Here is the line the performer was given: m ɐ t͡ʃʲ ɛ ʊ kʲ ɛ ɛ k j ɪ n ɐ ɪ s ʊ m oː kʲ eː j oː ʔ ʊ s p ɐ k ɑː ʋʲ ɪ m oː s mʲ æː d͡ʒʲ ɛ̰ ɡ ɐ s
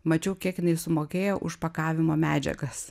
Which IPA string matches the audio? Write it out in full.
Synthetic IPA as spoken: m ɐ t͡ʃʲ ɛ ʊ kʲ i ɛ k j ɪ n ɐ ɪ s ʊ m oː kʲ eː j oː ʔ ʊ ʃ p ɐ k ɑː ʋʲ ɪ m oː mʲ æː d͡ʒʲ ɛ̰ ɡ ɐ s

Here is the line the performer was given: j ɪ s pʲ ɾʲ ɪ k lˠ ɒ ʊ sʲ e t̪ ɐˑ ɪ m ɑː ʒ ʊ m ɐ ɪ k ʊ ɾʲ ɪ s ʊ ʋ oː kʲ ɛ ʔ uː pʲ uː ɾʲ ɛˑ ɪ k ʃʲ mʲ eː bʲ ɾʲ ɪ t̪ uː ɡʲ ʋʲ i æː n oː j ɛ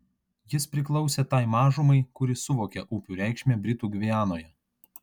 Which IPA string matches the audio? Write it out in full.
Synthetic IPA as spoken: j ɪ s pʲ ɾʲ ɪ k lˠ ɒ ʊ sʲ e t̪ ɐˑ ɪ m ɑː ʒ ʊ m ɐ ɪ k ʊ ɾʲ ɪ s ʊ ʋ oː kʲ ɛ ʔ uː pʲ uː ɾʲ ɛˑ ɪ k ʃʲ mʲ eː bʲ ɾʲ ɪ t̪ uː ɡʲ ʋʲ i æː n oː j ɛ

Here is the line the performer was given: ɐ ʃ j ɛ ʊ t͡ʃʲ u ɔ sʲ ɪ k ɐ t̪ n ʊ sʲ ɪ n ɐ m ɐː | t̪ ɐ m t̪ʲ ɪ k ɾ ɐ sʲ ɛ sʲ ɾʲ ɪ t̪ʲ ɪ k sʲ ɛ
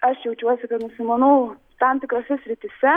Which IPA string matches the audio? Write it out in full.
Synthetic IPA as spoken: ɐ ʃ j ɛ ʊ t͡ʃʲ u ɔ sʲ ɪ k ɐ t̪ n ʊ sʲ ɪ m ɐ n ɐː | t̪ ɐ m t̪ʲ ɪ k ɾ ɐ sʲ ɛ sʲ ɾʲ ɪ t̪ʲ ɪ sʲ ɛ

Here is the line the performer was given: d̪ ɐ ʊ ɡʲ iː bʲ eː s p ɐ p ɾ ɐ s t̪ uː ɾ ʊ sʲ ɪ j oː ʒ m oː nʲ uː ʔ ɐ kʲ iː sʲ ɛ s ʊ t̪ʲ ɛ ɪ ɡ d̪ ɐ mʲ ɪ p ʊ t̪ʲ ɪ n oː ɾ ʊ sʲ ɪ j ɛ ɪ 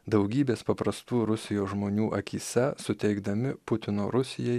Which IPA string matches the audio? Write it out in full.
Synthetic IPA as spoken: d̪ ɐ ʊ ɡʲ iː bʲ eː s p ɐ p ɾ ɐ s t̪ uː ɾ ʊ sʲ ɪ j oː ʒ m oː nʲ uː ʔ ɐ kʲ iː sʲ ɛ s ʊ t̪ʲ ɛ ɪ ɡ d̪ ɐ mʲ ɪ p ʊ t̪ʲ ɪ n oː ɾ ʊ sʲ ɪ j ɛ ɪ

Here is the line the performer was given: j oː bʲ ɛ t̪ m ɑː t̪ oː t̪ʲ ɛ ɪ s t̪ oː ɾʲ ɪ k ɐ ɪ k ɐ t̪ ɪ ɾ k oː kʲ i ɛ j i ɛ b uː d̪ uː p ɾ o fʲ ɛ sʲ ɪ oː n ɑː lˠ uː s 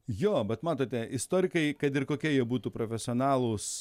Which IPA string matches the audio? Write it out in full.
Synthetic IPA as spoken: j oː bʲ ɛ t̪ m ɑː t̪ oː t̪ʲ ɛ ɪ s t̪ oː ɾʲ ɪ k ɐ ɪ k ɐ t̪ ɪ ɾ k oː kʲ i ɛ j i ɛ b uː t̪ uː p ɾ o fʲ ɛ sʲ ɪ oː n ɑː lˠ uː s

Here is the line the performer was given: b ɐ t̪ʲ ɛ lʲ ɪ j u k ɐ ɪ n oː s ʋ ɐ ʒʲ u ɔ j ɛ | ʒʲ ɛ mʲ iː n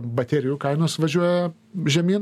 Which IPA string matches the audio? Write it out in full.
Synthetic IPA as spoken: b ɐ t̪ʲ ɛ ɾʲ ɪ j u k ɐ ɪ n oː s ʋ ɐ ʒʲ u ɔ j ɛ | ʒʲ ɛ mʲ iː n

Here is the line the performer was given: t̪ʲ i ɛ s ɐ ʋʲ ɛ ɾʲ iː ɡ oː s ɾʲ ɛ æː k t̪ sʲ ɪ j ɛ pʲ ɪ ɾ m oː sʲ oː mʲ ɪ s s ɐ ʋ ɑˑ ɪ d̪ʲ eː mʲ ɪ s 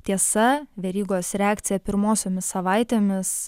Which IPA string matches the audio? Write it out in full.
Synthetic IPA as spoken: t̪ʲ i ɛ s ɐ ʋʲ ɛ ɾʲ iː ɡ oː s ɾʲ ɛ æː k t̪ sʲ ɪ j ɛ pʲ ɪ ɾ m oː sʲ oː mʲ ɪ s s ɐ ʋ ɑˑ ɪ t̪ʲ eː mʲ ɪ s

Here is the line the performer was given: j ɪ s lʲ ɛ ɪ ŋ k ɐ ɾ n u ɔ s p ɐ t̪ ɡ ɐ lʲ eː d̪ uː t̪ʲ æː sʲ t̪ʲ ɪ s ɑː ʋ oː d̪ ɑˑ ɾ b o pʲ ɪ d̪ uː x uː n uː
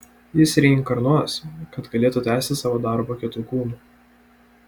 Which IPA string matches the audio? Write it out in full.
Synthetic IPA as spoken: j ɪ s ɾʲ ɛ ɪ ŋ k ɐ ɾ n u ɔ s k ɐ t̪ ɡ ɐ lʲ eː t̪ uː t̪ʲ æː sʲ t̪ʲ ɪ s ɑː ʋ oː d̪ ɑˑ ɾ b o kʲ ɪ t̪ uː k uː n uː

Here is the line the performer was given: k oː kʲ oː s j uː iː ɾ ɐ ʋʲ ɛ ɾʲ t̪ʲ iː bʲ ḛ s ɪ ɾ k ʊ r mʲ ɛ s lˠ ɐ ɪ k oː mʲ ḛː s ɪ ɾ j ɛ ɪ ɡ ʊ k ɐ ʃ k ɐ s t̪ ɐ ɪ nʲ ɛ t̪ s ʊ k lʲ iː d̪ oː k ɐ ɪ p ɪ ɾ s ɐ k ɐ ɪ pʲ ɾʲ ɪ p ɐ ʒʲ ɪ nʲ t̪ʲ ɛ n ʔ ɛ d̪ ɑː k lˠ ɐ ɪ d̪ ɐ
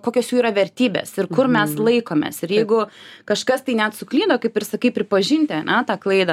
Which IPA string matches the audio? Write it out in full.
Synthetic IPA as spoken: k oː kʲ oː s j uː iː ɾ ɐ ʋʲ ɛ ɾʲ t̪ʲ iː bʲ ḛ s ɪ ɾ k ʊ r mʲ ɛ s lˠ ɐ ɪ k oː mʲ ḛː s ɪ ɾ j ɛ ɪ ɡ ʊ k ɐ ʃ k ɐ s t̪ ɐ ɪ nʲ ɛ t̪ s ʊ k lʲ iː d̪ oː k ɐ ɪ p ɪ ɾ s ɐ k ɐ ɪ pʲ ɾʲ ɪ p ɐ ʒʲ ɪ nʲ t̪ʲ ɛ n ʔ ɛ t̪ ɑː k lˠ ɐ ɪ d̪ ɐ

